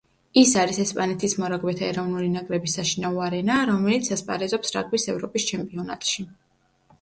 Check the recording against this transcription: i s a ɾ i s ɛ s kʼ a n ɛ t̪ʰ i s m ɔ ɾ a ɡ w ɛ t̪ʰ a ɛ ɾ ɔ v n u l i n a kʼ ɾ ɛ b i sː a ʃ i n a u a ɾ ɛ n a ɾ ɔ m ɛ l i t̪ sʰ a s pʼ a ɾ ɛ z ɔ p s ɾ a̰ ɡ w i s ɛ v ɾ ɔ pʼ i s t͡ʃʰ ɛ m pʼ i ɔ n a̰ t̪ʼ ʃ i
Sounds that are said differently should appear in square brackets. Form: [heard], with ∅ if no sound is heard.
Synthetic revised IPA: i s a ɾ i s ɛ s [pʼ] a n ɛ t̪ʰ i s m ɔ ɾ a ɡ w ɛ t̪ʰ a ɛ ɾ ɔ v n u l i n a kʼ ɾ ɛ b i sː a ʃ i n a u a ɾ ɛ n a ɾ ɔ m ɛ l i t̪ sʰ a s pʼ a ɾ ɛ z ɔ p s ɾ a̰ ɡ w i s ɛ v ɾ ɔ pʼ i s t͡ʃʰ ɛ m pʼ i ɔ n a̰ t̪ʼ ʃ i